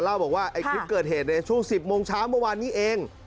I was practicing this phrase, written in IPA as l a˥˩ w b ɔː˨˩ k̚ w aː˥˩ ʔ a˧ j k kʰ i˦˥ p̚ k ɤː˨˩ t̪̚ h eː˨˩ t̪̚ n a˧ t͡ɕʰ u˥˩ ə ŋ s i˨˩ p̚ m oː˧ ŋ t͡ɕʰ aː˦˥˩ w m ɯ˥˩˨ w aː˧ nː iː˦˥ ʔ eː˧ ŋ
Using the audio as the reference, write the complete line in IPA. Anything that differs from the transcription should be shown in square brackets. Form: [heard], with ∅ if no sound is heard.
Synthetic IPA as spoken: l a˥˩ w b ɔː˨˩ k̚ w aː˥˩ ʔ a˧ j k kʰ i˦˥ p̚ k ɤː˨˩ t̪̚ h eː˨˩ t̪̚ n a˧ t͡ɕʰ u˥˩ ə ŋ s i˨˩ p̚ m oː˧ ŋ t͡ɕʰ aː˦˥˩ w m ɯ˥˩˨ w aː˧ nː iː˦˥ ʔ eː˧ ŋ